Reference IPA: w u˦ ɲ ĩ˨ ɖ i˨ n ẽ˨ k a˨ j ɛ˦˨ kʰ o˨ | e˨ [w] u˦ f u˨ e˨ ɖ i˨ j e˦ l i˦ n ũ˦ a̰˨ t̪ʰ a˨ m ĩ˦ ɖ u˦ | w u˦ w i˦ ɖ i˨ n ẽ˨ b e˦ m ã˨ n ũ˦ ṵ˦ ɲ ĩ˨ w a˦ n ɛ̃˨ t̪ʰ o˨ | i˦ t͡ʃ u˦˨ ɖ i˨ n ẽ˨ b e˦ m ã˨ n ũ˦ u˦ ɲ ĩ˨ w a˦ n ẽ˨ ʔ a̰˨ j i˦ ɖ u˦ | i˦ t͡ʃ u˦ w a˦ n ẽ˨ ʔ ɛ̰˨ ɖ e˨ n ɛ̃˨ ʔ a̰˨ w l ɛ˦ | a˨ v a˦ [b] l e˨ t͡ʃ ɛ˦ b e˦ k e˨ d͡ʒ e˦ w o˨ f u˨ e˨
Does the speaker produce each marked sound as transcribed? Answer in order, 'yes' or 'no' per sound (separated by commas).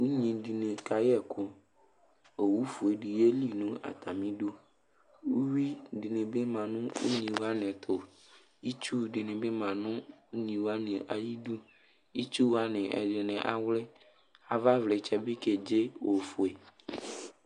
yes, no